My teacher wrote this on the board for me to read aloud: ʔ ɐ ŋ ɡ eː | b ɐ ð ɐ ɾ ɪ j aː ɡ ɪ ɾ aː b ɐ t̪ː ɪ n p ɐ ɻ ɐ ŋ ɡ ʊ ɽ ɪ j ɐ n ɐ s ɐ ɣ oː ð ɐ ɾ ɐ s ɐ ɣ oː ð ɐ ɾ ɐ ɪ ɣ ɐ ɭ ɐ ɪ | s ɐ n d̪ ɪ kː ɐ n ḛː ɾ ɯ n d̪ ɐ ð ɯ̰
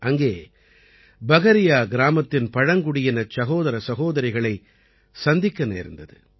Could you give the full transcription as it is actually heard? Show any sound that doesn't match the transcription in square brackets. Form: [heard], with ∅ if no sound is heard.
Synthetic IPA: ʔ ɐ ŋ ɡ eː | b ɐ [ɣ] ɐ ɾ ɪ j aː ɡ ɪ ɾ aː [m] ɐ t̪ː ɪ n p ɐ ɻ ɐ ŋ ɡ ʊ ɽ ɪ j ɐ n ɐ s ɐ ɣ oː ð ɐ ɾ ɐ s ɐ ɣ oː ð ɐ ɾ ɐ ɪ ɣ ɐ ɭ ɐ ɪ | s ɐ n d̪ ɪ kː ɐ n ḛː ɾ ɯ n d̪ ɐ ð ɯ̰